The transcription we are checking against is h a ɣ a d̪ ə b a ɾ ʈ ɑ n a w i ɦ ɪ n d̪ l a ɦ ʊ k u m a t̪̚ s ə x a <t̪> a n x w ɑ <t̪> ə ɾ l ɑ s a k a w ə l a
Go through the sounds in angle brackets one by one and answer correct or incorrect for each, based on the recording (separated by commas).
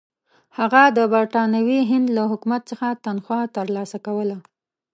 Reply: correct, correct